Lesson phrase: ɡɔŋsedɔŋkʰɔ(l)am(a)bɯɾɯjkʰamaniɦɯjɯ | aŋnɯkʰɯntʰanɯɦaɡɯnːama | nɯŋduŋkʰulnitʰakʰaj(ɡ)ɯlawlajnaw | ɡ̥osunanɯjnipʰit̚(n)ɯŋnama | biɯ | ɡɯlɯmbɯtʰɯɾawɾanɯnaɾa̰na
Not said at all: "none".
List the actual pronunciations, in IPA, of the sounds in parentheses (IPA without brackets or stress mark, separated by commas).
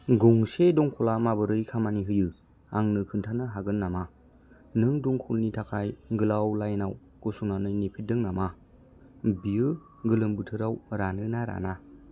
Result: l, a, ɡ, d